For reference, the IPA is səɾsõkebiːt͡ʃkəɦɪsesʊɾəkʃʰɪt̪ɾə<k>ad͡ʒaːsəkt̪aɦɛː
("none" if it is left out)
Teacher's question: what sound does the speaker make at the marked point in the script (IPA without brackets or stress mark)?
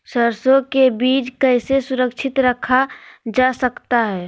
kʰ